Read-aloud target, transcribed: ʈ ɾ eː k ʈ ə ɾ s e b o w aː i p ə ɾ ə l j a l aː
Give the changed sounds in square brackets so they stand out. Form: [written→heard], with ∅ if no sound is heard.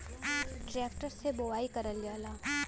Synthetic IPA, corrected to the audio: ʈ ɾ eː k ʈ ə ɾ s e b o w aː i [p→k] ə ɾ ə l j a l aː